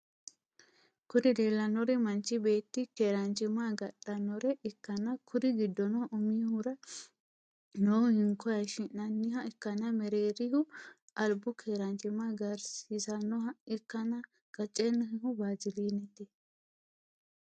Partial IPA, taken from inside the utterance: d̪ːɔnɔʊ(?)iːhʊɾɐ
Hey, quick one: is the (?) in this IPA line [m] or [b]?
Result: m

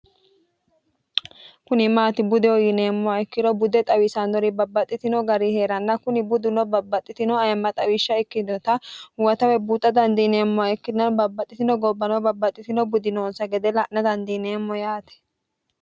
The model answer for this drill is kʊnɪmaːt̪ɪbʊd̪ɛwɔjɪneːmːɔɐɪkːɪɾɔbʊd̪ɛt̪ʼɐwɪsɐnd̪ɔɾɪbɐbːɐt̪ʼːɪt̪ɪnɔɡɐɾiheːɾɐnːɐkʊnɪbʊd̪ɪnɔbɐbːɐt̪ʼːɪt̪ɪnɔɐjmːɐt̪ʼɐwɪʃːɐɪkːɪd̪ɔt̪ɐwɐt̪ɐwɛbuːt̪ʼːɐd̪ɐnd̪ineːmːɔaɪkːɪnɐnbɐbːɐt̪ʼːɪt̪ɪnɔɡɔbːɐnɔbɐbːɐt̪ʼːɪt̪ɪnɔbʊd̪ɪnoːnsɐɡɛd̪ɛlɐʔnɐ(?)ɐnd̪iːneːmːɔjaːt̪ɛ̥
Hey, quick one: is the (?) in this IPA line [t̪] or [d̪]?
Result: d̪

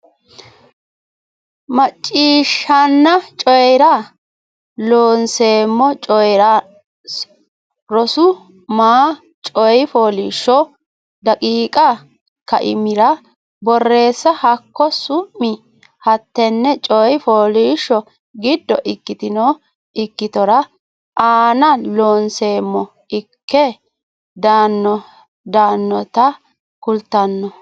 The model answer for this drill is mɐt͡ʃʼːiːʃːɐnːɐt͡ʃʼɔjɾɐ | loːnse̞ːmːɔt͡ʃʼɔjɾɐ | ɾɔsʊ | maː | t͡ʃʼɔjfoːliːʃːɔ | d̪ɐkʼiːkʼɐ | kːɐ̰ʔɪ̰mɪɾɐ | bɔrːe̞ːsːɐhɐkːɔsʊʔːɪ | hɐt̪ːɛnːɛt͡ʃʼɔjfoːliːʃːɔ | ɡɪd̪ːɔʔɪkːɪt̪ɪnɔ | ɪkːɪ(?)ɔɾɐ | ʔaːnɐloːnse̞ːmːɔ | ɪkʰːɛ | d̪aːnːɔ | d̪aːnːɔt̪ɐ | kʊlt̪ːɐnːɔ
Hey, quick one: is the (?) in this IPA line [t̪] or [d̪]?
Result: t̪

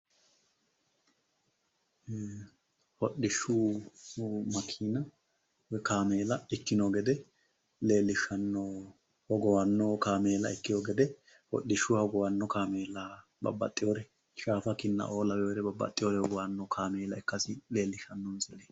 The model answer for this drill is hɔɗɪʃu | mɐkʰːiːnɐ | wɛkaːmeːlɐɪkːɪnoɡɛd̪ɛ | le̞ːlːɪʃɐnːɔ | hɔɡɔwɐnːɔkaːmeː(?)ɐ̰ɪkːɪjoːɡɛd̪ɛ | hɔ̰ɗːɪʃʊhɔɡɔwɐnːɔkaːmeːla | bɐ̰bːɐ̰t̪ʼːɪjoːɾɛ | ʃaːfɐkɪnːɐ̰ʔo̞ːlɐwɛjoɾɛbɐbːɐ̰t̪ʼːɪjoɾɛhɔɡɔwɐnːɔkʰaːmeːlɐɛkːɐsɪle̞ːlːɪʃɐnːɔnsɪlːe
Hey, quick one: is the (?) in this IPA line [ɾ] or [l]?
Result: l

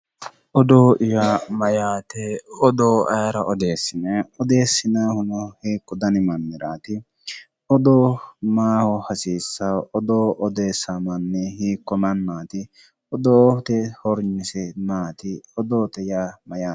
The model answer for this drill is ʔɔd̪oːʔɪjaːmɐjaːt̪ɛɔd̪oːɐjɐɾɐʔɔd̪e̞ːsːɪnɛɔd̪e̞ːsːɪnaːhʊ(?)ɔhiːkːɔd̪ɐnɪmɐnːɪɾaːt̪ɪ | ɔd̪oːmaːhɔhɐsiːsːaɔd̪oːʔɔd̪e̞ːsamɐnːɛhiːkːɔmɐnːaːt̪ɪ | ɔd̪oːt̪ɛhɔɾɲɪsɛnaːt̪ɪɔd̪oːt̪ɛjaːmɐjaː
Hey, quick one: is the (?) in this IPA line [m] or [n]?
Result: n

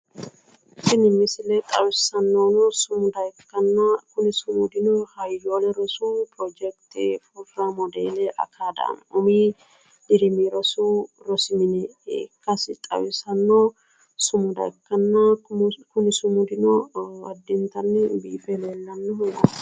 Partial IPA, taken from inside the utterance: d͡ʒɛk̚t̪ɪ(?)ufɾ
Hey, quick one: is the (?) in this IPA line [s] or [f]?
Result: f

